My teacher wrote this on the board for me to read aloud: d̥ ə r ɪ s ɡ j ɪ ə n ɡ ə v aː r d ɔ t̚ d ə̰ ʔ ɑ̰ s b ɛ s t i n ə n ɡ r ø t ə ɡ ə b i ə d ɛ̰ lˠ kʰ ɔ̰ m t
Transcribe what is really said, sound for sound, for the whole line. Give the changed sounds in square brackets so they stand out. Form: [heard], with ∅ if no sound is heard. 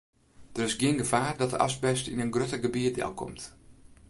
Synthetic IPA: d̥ ə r ɪ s ɡ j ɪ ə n ɡ ə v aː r d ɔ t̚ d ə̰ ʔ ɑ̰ s b ɛ s t i n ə n ɡ r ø t ə ɡ ə b i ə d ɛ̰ lˠ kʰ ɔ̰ m t